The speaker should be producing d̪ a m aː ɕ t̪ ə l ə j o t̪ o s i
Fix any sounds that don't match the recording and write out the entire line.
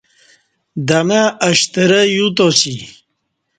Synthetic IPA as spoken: d̪ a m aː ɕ t̪ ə ɾ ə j u t̪ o s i